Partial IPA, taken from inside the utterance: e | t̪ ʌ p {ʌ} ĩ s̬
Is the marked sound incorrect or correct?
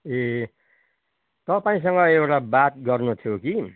incorrect: a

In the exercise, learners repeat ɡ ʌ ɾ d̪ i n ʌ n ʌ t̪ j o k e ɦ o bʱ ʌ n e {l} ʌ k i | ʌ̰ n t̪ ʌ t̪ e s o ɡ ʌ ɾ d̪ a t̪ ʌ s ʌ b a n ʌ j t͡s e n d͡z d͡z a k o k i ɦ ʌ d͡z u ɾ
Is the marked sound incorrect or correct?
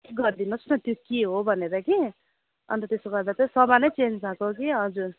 incorrect: ɾ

